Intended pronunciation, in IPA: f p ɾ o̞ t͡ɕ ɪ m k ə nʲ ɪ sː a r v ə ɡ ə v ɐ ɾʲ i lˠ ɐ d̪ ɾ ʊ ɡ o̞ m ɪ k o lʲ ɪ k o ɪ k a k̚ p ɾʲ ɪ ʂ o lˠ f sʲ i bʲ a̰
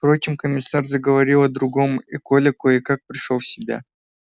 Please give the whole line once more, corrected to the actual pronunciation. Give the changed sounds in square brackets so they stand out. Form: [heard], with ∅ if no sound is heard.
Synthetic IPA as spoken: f p ɾ o̞ t͡ɕ ɪ m k ə [mʲ] ɪ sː a r [z] ə ɡ ə v ɐ ɾʲ i lˠ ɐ d̪ ɾ ʊ ɡ o̞ m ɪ k o lʲ ɪ k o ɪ k a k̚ p ɾʲ ɪ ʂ o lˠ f sʲ [ɪ] bʲ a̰